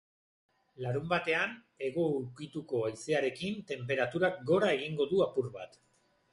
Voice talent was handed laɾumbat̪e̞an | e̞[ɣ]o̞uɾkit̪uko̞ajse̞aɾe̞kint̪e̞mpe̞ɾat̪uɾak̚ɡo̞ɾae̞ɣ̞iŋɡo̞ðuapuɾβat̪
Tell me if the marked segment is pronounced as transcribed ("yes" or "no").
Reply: yes